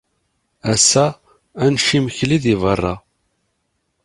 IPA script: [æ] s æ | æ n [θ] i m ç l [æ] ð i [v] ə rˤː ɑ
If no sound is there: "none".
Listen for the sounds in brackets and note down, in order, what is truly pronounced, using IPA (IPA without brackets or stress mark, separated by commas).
æ, ʃ, i, v